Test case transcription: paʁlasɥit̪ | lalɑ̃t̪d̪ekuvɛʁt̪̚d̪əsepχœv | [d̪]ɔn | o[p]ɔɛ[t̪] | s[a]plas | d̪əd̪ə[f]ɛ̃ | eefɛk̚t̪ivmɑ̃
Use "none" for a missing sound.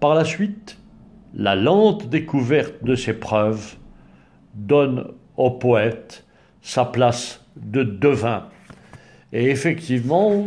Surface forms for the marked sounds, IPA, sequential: d̪, p, t̪, a, v

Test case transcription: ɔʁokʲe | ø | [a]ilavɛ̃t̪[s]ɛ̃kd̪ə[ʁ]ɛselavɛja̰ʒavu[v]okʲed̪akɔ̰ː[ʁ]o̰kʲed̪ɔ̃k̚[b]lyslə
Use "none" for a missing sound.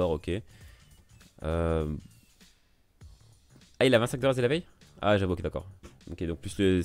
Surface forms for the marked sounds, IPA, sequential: a, s, ʁ, none, ʁ, p

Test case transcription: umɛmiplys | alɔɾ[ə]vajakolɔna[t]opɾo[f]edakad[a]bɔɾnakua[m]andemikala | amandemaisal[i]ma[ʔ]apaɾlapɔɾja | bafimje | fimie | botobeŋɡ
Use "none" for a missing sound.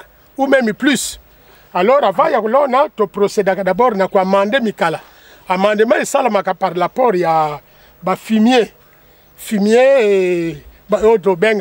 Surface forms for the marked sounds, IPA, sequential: a, t, s, a, m, a, k

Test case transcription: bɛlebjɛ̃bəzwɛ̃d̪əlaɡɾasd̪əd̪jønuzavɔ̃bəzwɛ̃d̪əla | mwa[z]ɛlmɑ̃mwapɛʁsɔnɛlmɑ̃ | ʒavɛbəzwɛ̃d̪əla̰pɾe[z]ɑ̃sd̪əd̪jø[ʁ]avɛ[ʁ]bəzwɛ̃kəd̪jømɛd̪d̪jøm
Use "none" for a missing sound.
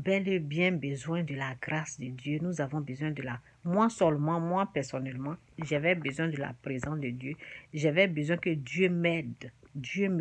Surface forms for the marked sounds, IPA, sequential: s, z, ʒ, none

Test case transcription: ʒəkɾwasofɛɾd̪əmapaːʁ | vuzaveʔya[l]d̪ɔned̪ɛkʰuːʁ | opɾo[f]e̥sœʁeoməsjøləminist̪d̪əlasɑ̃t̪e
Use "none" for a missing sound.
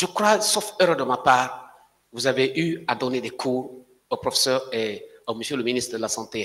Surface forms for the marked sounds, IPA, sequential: none, f

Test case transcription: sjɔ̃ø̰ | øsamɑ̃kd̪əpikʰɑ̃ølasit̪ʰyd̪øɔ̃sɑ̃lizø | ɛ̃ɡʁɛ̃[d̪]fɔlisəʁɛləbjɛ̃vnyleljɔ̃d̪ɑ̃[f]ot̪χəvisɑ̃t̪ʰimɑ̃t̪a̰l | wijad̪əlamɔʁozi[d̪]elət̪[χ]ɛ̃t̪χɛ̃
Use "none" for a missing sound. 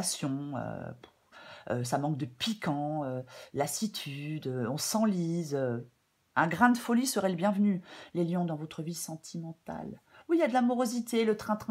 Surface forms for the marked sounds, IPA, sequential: d̪, v, t̪, χ

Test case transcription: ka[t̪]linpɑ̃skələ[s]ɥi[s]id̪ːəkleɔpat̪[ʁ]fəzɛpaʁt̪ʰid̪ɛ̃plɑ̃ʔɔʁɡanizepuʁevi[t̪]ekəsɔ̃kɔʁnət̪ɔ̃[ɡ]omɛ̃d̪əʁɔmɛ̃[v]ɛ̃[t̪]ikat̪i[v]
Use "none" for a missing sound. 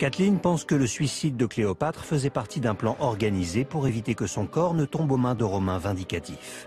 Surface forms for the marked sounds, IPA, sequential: t̪, s, s, χ, t̪, b, v, d̪, f

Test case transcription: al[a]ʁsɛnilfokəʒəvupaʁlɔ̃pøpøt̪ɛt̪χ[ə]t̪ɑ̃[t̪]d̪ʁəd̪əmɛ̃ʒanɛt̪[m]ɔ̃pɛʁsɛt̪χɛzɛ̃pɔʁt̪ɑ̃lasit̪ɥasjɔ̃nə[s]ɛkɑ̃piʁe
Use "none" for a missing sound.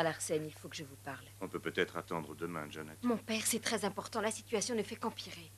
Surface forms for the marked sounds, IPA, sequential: a, a, none, m, f

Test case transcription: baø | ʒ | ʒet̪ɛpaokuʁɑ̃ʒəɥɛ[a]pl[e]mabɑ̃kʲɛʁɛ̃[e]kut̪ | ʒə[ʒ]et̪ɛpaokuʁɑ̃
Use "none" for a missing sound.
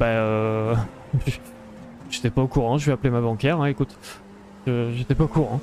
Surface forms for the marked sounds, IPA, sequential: a, e, e, ʒ

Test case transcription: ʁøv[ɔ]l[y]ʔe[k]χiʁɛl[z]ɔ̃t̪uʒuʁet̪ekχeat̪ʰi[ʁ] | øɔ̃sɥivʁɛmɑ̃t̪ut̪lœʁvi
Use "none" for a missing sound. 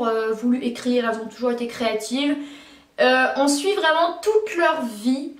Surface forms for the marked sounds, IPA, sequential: u, y, k, z, v

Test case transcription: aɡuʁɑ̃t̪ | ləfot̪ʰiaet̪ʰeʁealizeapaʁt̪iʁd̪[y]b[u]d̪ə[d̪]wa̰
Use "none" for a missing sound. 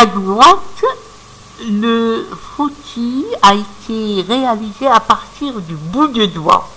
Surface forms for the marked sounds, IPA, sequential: y, u, d̪

